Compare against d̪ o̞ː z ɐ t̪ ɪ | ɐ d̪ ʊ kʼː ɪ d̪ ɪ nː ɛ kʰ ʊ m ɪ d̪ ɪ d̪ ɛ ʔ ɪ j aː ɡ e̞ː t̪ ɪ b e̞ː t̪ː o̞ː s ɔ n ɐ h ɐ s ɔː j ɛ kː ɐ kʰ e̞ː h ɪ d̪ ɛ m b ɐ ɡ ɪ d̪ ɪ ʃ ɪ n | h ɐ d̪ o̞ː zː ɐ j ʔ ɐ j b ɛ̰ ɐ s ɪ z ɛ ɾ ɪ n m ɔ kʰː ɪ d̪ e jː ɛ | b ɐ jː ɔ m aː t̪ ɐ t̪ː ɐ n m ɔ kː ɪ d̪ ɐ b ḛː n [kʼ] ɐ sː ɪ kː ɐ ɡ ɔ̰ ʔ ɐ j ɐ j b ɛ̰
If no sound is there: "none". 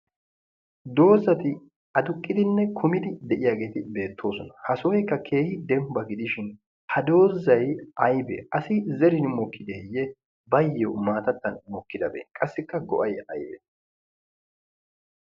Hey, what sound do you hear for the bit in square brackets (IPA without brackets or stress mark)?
kʼ